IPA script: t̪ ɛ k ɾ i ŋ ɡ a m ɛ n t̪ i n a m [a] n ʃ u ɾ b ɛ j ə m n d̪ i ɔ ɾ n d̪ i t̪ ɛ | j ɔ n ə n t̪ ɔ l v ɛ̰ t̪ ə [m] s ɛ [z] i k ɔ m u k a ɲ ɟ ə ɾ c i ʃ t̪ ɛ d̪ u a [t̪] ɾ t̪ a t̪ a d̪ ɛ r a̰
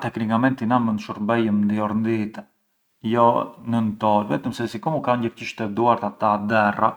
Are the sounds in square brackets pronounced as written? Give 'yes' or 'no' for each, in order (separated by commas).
no, yes, no, no